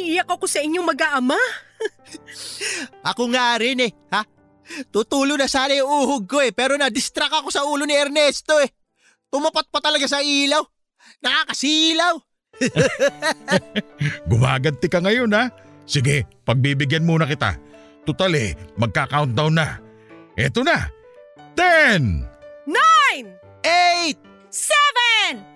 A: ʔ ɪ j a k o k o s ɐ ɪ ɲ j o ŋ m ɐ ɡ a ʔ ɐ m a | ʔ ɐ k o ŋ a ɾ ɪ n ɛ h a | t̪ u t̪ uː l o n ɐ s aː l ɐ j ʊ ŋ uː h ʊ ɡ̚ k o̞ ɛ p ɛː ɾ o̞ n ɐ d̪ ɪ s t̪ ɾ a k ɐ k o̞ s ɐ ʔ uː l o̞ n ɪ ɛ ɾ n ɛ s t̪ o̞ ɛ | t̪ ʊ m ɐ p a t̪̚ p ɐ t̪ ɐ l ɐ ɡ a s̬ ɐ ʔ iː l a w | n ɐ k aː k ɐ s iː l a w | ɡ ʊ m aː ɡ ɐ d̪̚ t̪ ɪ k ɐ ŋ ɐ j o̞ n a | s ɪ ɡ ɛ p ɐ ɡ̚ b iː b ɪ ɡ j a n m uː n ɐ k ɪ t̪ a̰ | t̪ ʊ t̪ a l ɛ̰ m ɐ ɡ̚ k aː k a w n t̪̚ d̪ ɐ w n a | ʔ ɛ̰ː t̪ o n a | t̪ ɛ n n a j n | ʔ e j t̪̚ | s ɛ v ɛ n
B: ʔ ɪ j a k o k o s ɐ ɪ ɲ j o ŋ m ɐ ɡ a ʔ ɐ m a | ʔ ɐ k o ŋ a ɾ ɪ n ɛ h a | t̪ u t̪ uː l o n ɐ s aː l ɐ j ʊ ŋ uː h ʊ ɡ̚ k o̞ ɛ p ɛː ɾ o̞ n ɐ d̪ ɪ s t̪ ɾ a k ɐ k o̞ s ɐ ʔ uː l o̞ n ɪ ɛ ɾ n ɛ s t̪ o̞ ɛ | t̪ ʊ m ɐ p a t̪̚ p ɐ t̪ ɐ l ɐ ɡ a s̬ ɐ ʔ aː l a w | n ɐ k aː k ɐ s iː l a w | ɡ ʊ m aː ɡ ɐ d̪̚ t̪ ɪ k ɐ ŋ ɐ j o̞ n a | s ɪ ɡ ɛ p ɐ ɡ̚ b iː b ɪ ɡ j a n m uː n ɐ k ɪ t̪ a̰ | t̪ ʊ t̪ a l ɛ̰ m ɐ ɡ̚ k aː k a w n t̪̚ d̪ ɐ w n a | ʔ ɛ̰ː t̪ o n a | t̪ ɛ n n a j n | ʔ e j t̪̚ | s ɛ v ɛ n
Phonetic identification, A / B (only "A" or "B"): A